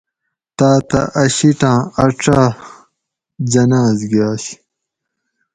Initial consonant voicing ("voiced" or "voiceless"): voiceless